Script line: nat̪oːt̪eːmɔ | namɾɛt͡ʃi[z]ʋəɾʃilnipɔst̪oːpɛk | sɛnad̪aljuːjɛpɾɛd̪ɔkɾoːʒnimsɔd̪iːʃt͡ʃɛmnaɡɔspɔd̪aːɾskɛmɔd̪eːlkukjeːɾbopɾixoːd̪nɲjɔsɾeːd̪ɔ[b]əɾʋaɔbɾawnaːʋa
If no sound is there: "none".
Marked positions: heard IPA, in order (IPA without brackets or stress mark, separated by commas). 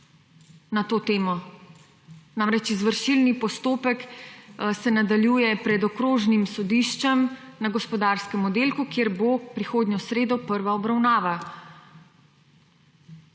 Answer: z, p